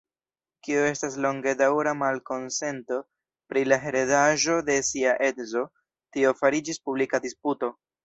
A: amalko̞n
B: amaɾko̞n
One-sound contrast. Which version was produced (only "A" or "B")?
A